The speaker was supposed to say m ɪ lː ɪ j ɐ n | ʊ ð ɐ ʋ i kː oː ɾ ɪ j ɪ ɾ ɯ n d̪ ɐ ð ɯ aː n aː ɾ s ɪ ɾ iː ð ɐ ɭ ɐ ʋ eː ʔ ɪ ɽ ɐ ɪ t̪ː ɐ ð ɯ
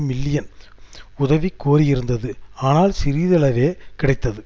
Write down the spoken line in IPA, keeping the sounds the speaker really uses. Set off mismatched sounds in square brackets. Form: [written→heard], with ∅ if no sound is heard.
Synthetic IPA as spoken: m ɪ lː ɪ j ɐ n | ʊ ð ɐ ʋ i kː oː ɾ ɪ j ɪ ɾ ɯ n d̪ ɐ ð ɯ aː n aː [ɾ→l] s ɪ ɾ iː ð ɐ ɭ ɐ ʋ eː [ʔ→k] ɪ ɽ ɐ ɪ t̪ː ɐ ð ɯ